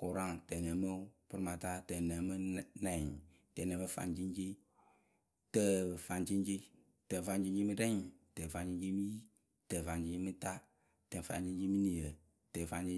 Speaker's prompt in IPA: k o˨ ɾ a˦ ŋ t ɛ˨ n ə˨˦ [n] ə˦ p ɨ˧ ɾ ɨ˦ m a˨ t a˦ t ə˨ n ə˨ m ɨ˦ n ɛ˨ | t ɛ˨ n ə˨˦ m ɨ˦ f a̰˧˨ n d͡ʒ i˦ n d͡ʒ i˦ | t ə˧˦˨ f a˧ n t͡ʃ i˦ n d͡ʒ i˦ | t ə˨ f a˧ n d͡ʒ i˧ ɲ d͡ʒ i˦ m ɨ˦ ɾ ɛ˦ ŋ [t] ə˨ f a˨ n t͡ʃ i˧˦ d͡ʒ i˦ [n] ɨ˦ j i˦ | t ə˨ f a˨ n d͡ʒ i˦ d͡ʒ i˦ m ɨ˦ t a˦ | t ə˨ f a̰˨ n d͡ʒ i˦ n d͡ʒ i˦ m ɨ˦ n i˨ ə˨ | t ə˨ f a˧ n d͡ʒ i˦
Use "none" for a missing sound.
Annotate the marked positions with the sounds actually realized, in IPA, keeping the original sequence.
m, t, m

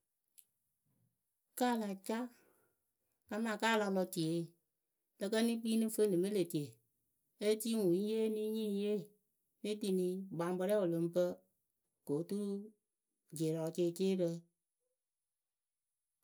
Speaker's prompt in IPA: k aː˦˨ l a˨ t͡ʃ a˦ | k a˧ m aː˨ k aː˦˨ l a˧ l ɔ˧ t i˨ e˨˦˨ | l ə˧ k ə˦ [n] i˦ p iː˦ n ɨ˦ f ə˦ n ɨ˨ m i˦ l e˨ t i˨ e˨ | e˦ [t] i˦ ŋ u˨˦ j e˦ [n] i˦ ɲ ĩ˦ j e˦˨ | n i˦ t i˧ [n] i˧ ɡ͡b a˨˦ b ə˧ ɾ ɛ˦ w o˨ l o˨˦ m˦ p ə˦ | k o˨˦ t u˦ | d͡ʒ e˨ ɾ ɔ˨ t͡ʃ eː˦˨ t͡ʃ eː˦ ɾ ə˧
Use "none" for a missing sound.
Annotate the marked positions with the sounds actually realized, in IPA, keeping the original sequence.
n, t, n, n

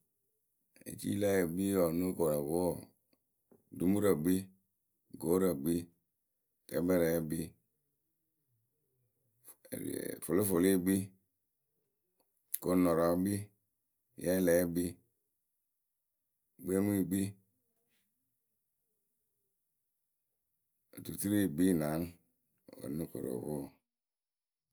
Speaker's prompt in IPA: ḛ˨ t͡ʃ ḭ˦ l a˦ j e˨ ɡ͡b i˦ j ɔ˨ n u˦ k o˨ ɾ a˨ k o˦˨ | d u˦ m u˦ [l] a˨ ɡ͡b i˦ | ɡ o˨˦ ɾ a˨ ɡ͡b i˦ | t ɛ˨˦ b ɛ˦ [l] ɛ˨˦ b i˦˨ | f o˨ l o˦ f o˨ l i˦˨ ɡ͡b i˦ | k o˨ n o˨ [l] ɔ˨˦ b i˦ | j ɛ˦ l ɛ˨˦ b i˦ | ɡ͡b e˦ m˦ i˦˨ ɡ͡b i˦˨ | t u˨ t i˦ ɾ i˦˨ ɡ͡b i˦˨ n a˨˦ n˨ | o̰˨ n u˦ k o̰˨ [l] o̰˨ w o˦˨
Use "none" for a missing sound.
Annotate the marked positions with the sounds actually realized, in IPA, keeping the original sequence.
ɾ, ɾ, ɾ, ɾ

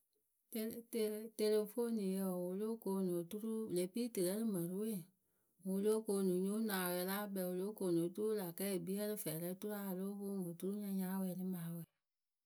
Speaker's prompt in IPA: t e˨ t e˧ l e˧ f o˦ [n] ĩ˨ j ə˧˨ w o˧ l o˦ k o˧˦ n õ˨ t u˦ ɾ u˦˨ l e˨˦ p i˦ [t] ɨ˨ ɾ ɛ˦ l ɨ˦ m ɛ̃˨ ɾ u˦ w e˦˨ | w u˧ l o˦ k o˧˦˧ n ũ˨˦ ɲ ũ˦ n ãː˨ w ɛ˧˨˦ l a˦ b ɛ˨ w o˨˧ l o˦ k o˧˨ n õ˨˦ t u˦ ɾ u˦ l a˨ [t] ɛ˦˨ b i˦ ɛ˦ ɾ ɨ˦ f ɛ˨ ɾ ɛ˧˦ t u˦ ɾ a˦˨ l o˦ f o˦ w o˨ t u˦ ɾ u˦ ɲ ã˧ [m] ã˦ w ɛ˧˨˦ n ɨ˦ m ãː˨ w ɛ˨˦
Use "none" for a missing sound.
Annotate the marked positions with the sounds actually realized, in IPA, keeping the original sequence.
n, t, k, ɲ

